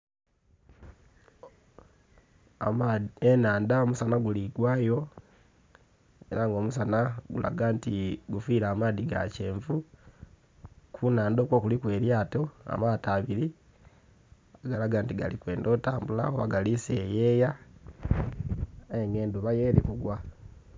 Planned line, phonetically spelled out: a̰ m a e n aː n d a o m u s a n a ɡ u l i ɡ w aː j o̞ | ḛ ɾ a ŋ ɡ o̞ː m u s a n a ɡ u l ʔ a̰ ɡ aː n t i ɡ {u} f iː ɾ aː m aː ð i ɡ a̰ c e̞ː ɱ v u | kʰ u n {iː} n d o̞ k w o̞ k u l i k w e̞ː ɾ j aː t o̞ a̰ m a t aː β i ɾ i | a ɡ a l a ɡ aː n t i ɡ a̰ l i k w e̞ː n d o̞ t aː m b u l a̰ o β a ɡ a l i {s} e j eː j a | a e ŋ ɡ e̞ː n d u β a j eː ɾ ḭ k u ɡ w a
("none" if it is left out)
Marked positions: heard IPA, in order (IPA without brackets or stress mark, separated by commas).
u, aː, s